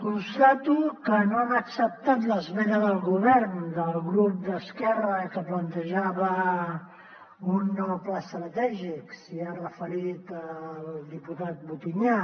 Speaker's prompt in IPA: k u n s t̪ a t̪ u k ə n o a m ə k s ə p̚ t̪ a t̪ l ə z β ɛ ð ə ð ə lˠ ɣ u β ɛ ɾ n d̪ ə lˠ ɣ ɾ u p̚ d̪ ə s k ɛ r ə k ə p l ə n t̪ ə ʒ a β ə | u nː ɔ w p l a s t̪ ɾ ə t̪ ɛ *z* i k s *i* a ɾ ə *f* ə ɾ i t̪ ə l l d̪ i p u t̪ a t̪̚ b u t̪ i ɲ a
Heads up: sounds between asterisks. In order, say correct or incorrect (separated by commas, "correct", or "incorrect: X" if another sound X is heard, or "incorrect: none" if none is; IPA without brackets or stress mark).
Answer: incorrect: ʒ, correct, correct